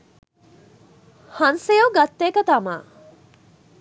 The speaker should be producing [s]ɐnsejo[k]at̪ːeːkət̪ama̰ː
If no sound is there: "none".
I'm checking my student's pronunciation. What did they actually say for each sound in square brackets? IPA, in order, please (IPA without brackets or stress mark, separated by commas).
h, ɡ